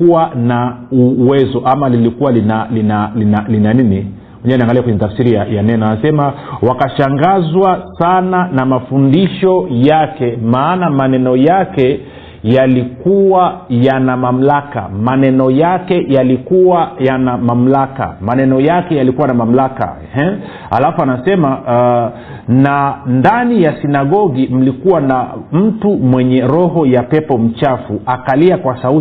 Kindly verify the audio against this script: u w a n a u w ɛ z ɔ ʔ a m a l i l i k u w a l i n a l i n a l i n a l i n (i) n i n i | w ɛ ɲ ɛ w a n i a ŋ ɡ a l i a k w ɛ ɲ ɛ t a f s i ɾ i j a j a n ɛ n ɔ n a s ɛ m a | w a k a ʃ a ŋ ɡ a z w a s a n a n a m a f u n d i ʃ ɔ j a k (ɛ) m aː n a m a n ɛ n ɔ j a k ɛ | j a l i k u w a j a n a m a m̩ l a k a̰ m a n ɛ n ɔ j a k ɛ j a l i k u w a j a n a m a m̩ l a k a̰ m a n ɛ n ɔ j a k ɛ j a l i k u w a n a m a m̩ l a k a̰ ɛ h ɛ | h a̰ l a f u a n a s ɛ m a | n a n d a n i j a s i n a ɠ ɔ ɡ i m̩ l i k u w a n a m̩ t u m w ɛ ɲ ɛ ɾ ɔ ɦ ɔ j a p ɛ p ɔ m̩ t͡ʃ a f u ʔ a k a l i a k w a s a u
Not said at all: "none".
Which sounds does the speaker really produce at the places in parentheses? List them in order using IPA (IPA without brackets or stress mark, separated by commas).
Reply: a, ɛ